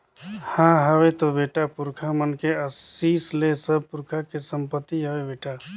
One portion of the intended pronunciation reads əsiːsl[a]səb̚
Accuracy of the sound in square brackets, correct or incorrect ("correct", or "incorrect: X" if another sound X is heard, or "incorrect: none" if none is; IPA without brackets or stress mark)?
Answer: incorrect: e